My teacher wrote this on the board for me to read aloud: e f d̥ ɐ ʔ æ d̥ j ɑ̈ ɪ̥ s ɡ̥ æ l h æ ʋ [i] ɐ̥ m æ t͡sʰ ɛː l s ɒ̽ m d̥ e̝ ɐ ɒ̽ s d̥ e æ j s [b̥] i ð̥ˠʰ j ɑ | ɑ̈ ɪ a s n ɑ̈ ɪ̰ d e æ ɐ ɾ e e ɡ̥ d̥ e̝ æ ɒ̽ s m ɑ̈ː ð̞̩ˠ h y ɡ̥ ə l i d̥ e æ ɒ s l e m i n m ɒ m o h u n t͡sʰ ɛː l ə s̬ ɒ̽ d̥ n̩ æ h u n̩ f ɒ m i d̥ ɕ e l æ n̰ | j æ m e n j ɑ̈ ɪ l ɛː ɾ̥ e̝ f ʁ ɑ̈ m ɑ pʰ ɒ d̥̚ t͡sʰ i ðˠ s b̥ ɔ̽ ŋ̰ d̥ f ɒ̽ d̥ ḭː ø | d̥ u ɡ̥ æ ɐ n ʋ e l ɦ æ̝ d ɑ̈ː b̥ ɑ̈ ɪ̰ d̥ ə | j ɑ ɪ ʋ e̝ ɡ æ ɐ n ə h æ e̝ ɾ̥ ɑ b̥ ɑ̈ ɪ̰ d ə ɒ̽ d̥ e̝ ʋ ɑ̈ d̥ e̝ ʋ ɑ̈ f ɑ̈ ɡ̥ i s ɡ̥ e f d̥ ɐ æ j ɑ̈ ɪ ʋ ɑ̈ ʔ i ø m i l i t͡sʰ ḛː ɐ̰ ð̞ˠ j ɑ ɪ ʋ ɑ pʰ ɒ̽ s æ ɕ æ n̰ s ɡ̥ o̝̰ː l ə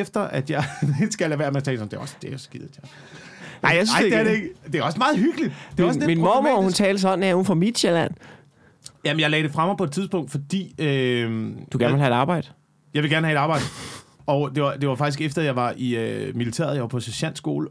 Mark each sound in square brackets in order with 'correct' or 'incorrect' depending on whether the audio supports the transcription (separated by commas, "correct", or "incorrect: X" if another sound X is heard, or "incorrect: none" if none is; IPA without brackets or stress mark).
incorrect: æ, incorrect: ɡ̥